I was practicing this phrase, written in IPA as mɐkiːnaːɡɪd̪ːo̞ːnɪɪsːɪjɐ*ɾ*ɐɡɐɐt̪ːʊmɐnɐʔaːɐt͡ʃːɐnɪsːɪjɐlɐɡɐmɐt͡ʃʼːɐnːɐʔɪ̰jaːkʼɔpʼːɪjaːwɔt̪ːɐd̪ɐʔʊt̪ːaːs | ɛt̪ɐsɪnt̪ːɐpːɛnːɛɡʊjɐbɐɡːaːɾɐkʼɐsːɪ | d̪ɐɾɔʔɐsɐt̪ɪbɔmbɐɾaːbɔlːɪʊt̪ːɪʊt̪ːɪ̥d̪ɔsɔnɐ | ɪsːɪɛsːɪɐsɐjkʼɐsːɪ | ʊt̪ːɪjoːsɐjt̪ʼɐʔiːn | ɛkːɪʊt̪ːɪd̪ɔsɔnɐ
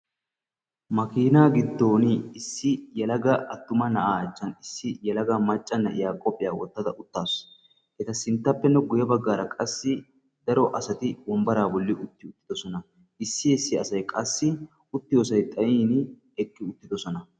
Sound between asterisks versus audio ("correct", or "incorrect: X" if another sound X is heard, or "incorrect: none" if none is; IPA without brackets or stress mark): incorrect: l